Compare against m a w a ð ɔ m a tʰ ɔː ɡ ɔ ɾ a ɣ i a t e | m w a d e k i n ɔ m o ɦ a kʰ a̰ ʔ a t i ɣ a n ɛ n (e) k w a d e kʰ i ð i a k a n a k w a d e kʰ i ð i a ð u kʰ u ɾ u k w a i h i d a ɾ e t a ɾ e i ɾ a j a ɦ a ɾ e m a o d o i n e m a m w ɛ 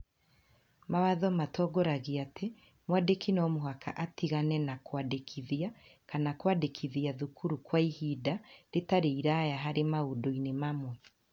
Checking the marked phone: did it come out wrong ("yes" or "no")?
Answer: yes